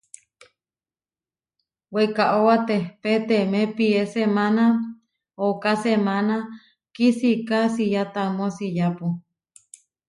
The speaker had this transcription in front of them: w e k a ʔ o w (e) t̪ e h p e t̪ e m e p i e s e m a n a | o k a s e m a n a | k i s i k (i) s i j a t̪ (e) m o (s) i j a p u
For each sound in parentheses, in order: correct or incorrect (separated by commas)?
incorrect, incorrect, incorrect, correct